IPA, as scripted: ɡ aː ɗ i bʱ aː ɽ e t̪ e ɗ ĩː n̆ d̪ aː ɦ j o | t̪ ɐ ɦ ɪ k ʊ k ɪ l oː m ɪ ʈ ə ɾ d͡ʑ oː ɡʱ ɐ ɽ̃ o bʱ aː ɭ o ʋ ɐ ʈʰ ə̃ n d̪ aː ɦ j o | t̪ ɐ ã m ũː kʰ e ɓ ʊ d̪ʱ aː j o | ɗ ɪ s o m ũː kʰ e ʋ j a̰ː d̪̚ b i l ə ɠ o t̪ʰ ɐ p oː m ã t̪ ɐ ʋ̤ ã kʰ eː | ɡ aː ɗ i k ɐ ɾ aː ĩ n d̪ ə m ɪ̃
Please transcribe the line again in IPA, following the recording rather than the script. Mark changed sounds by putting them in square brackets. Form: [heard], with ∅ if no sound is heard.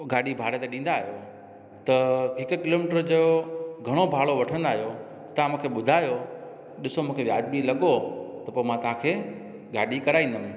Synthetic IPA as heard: ɡ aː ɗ i bʱ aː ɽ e t̪ e ɗ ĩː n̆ d̪ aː ɦ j o | t̪ ɐ ɦ ɪ k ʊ k ɪ l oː m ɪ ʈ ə ɾ d͡ʑ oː ɡʱ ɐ ɽ̃ o bʱ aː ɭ o ʋ ɐ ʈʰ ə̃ n d̪ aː ɦ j o | t̪ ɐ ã m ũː kʰ e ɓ ʊ d̪ʱ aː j o | ɗ ɪ s o m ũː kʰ e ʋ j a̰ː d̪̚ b i l [ɐ] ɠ o [t̪] ɐ p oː m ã t̪ ɐ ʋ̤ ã kʰ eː | ɡ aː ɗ i k ɐ ɾ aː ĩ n d̪ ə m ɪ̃

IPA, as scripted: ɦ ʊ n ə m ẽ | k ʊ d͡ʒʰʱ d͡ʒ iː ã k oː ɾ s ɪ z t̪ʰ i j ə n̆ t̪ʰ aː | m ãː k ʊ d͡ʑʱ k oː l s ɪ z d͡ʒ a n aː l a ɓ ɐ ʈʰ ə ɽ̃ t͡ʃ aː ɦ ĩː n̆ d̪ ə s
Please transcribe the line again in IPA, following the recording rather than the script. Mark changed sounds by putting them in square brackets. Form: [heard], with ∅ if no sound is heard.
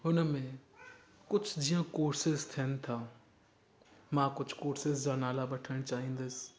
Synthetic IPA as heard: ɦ ʊ n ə m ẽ | k ʊ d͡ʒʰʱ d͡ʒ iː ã k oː ɾ s ɪ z t̪ʰ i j ə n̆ t̪ʰ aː | m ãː k ʊ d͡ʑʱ k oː [ɾ] s ɪ z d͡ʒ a n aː l a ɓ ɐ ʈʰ ə ɽ̃ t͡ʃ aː ɦ ĩː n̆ d̪ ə s

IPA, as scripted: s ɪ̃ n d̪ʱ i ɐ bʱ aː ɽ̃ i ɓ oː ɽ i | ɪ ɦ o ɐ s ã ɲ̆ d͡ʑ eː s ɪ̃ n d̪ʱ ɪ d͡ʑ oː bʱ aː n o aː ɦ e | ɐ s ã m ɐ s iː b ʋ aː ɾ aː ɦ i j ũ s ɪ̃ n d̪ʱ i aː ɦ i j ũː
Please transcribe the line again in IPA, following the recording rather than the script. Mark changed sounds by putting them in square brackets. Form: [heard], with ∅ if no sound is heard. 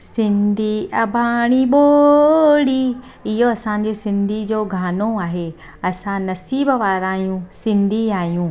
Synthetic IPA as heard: s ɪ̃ n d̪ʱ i ɐ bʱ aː ɽ̃ i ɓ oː ɽ i | ɪ ɦ o ɐ s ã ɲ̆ d͡ʑ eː s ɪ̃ n d̪ʱ [i] d͡ʑ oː [ɡʱ] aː n o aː ɦ e | ɐ s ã [n] ɐ s iː b ʋ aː ɾ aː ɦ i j ũ s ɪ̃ n d̪ʱ i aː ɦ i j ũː

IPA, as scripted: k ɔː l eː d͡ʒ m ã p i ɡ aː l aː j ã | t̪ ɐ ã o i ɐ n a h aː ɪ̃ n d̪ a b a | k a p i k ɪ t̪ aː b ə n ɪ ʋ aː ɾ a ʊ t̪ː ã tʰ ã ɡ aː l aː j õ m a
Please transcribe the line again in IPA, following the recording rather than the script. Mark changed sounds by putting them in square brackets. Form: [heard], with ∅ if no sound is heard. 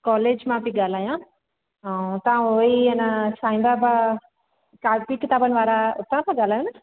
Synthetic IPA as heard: k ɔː l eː d͡ʒ m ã p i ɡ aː l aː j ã | t̪ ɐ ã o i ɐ n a [s] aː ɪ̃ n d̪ a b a | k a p i k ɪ t̪ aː b ə n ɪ ʋ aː ɾ a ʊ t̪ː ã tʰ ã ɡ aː l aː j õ [n] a

